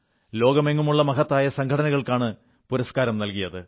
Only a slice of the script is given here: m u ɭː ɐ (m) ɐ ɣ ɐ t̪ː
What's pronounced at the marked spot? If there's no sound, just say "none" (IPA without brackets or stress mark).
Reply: m